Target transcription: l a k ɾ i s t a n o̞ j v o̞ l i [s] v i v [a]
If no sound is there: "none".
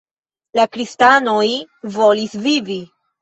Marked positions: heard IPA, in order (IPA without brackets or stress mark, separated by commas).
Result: s, i